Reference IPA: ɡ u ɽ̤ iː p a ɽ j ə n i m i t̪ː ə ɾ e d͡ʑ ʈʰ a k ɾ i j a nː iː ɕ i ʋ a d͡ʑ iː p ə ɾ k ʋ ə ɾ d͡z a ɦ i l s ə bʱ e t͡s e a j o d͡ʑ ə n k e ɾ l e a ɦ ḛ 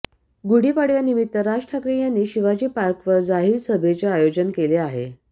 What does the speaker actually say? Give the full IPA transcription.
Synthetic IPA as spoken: ɡ u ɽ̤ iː p a ɽ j a n i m i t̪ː ə ɾ a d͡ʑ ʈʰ a k ɾ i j a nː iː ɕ i ʋ a d͡ʑ iː p a ɾ k ʋ ə ɾ d͡z a ɦ i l s ə bʱ e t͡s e a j o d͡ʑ ə n k e l e a ɦ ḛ